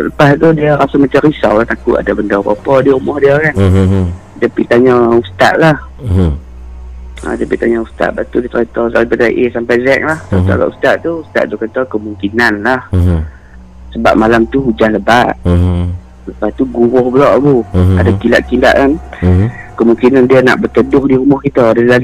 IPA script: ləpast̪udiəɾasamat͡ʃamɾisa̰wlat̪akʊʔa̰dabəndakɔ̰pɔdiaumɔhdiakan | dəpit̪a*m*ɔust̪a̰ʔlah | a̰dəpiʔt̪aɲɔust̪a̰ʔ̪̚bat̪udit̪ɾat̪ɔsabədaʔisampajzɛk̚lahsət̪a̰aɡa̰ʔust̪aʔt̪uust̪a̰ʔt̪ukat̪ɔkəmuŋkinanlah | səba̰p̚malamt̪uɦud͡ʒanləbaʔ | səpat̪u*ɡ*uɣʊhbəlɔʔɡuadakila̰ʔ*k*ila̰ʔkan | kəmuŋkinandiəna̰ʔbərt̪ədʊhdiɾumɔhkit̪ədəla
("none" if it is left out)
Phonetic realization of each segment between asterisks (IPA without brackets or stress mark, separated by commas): ɲ, ɡ, k